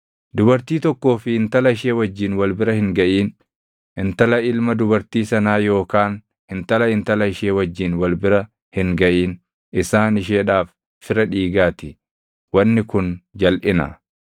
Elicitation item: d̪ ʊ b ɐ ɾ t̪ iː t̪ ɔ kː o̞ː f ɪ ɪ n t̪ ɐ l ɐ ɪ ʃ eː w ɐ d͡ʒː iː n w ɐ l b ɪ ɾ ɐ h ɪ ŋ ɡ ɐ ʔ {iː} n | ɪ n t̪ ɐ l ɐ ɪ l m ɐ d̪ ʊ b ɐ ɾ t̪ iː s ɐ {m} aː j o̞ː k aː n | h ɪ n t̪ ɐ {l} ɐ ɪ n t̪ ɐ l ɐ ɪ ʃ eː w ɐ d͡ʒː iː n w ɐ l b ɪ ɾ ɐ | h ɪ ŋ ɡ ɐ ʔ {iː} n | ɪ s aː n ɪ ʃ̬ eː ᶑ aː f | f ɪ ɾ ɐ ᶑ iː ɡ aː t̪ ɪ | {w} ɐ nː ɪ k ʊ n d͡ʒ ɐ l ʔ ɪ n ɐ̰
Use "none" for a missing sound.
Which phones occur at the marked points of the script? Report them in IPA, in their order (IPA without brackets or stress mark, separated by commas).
iː, n, l, iː, w